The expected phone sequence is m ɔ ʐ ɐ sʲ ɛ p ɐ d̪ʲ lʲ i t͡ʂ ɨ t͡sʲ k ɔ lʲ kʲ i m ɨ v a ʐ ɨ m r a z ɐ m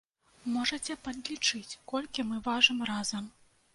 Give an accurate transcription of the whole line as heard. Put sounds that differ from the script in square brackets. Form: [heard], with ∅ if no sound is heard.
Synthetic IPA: m ɔ ʐ ɐ [t͡sʲ] ɛ p ɐ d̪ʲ lʲ i t͡ʂ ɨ t͡sʲ k ɔ lʲ kʲ i m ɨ v a ʐ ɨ m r a z ɐ m